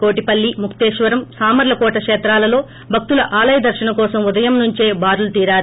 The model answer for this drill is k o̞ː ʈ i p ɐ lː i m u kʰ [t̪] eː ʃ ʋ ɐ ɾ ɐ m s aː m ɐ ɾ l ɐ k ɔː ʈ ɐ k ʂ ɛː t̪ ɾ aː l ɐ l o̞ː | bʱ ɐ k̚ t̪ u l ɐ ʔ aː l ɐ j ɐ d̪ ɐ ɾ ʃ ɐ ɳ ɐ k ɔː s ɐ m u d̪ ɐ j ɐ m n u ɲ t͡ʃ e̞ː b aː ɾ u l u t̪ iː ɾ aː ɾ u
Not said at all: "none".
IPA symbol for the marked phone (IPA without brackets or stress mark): t̪